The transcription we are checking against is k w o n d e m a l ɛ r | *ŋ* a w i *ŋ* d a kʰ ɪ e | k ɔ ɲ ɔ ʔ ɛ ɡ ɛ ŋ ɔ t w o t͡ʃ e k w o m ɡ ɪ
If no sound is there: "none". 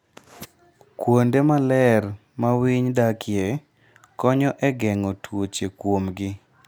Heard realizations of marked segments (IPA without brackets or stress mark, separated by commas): m, ɲ